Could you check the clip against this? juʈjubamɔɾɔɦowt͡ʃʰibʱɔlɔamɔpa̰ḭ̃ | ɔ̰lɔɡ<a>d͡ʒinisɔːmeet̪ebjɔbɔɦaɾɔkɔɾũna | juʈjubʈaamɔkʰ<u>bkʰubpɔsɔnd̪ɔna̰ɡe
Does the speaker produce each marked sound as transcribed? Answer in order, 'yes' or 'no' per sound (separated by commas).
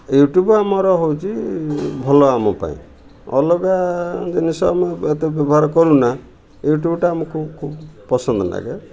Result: yes, yes